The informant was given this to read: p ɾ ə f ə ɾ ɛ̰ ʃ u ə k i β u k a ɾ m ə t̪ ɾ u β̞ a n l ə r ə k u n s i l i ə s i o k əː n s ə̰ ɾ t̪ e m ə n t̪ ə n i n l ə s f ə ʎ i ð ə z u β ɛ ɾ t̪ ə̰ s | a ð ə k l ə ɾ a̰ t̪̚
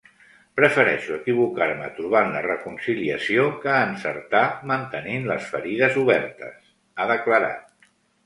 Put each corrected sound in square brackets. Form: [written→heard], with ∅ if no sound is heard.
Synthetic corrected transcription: p ɾ ə f ə ɾ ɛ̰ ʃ u ə k i β u k a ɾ m ə t̪ ɾ u β̞ a n l ə r ə k u n s i l i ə s i o k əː n s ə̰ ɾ t̪ [e→a] m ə n t̪ ə n i n l ə s f ə [ʎ→ɾ] i ð ə z u β ɛ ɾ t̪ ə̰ s | a ð ə k l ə ɾ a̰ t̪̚